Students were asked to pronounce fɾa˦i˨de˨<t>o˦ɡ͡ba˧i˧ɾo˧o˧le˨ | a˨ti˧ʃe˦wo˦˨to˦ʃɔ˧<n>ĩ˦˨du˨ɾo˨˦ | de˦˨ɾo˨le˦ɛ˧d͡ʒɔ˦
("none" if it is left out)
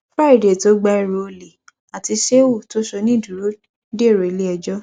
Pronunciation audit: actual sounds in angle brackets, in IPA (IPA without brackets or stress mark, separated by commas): t, n